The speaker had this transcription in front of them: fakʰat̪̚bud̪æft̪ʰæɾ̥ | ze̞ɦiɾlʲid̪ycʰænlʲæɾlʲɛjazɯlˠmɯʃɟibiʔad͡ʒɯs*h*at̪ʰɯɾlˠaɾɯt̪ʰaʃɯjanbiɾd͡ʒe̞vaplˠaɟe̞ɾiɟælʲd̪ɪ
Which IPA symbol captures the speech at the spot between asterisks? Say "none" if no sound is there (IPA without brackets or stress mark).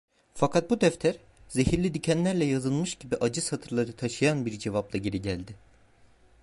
h